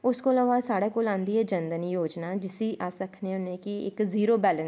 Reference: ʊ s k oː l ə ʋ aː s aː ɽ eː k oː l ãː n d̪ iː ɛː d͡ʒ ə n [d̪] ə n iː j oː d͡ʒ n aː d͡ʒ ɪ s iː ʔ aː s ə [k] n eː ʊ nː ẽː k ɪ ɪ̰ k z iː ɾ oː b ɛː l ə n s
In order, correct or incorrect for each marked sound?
correct, incorrect

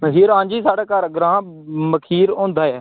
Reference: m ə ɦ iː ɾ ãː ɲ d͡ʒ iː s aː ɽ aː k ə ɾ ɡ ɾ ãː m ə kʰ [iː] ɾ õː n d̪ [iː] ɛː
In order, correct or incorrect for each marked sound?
correct, incorrect

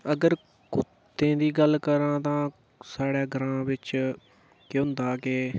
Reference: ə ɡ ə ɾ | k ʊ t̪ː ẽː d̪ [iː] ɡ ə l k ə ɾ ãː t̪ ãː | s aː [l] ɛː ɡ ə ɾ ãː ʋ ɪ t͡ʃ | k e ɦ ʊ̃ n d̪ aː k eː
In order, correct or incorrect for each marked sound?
correct, incorrect

